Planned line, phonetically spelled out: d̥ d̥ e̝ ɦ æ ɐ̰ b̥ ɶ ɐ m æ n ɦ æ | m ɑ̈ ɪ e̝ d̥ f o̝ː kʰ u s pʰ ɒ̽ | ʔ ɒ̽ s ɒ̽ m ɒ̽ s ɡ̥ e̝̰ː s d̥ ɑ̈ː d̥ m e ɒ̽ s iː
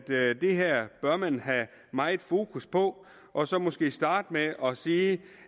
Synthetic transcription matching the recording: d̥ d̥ e̝ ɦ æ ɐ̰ b̥ ɶ ɐ m æ n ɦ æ | m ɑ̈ ɪ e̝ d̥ f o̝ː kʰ u s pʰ ɒ̽ | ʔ ɒ̽ s ɒ̽ m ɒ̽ s ɡ̥ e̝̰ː s d̥ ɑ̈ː d̥ m e ɒ̽ s iː